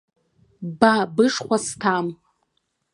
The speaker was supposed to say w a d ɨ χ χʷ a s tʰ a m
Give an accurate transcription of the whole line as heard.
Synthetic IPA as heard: b a b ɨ ʂ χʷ a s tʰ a m